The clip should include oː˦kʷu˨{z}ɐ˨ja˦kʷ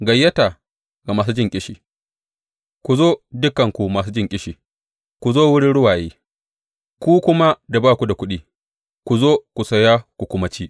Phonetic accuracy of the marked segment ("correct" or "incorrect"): incorrect